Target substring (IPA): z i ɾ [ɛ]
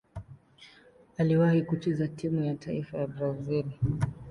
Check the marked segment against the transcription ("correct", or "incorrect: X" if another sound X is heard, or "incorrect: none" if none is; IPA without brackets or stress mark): incorrect: i